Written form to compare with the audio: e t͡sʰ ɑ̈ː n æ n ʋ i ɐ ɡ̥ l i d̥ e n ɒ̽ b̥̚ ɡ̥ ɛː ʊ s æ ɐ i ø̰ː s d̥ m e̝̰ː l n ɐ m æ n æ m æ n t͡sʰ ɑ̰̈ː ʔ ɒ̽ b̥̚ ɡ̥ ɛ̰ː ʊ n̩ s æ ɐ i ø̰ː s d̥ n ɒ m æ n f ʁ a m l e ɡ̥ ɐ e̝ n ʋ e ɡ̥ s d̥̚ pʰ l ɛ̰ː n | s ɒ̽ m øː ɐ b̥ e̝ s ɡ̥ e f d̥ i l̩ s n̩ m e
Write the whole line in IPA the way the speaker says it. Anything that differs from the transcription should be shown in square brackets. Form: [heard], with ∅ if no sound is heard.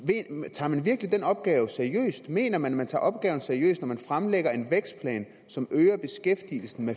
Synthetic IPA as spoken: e t͡sʰ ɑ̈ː [m] æ n ʋ i ɐ ɡ̥ l i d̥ e n ɒ̽ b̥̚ ɡ̥ ɛː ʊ s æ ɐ i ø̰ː s d̥ m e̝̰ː [∅] n ɐ m æ n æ m æ n t͡sʰ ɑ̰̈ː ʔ ɒ̽ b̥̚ ɡ̥ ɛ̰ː ʊ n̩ s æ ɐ i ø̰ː s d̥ n ɒ m æ n f ʁ a m l e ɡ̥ ɐ e̝ n ʋ e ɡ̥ s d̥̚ pʰ l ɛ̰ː n | s ɒ̽ m øː ɐ b̥ e̝ s ɡ̥ e f d̥ i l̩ s n̩ m e